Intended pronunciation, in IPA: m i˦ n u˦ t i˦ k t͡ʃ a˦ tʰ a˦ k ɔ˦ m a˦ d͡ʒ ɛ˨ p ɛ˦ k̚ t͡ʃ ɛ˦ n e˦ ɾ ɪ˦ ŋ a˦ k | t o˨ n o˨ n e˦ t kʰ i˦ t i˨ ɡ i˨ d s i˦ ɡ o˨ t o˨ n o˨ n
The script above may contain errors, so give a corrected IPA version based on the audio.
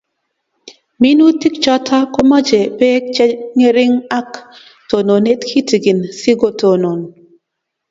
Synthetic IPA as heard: m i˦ n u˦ t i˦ k t͡ʃ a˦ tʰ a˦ k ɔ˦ m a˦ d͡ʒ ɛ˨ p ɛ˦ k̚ t͡ʃ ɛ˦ ŋ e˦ ɾ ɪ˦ ŋ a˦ k | t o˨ n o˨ n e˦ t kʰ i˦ t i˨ ɡ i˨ n s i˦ ɡ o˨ t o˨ n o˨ n

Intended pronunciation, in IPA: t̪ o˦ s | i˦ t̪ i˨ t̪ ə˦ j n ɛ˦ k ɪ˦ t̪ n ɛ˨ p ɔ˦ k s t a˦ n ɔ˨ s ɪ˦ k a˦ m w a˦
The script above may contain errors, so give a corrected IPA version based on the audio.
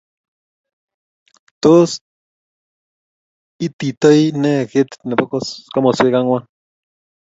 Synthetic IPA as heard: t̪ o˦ s | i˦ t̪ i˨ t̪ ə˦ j n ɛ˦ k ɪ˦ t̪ n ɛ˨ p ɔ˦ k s k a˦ m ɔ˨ s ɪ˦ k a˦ ŋ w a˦

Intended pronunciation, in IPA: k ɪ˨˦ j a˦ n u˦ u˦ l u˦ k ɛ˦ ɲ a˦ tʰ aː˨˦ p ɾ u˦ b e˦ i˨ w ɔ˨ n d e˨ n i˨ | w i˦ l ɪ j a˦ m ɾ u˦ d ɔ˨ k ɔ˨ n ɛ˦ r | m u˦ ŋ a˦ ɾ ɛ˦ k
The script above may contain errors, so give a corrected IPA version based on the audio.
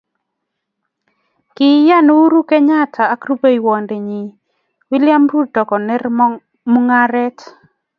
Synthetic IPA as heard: k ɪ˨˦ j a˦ n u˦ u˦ ɾ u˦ k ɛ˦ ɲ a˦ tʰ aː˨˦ k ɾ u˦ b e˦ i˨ w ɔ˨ n d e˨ ɲ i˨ | w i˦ l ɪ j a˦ m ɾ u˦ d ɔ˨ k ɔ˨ n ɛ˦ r | m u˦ ŋ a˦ ɾ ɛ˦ t

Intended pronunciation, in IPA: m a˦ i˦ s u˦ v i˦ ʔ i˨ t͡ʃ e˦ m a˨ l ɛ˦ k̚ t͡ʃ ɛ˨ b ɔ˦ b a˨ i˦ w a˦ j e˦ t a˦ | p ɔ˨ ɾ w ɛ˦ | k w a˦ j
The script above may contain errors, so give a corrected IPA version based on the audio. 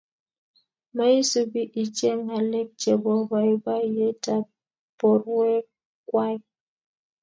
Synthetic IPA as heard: m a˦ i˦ s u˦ b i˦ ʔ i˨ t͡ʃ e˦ ŋ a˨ l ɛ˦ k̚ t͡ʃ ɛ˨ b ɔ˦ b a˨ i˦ b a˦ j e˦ t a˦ | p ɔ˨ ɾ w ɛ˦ | k w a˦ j

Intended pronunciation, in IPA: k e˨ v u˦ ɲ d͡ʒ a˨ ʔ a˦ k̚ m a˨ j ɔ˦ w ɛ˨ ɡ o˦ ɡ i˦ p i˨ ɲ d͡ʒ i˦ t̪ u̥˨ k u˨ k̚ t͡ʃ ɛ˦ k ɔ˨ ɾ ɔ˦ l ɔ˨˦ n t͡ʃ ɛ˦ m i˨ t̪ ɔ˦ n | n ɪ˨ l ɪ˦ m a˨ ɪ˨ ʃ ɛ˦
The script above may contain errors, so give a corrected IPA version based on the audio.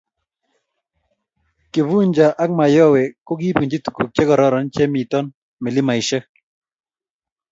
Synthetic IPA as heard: k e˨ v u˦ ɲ d͡ʒ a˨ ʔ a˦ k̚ m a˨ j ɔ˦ w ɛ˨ k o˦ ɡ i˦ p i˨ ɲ d͡ʒ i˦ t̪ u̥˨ k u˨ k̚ t͡ʃ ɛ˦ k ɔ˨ ɾ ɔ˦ ɾ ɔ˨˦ n t͡ʃ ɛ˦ m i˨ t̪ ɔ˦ n | m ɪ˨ l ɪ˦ m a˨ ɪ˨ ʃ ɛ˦

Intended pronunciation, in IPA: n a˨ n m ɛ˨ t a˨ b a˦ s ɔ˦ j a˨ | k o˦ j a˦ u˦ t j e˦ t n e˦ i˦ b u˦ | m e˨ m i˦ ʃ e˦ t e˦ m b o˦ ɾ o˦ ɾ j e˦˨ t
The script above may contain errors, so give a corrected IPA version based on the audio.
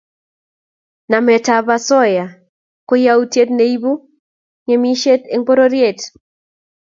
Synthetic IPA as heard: n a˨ m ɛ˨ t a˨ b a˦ s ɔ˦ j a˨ | k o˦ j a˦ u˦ t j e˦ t n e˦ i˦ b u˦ | ŋ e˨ m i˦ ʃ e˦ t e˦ ŋ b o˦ ɾ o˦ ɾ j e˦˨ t

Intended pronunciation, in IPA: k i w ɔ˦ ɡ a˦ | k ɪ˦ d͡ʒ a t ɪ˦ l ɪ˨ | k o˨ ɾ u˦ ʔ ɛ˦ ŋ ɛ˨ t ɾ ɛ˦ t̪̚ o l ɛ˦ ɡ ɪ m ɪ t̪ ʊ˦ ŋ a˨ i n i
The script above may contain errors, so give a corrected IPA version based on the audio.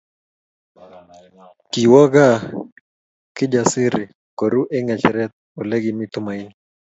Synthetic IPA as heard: k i w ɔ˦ ɡ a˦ | k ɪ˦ d͡ʒ a s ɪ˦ ɾ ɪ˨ | k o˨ ɾ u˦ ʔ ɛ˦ ŋ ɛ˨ t͡ʃ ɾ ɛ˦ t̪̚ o l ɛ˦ ɡ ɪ m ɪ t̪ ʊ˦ m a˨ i n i

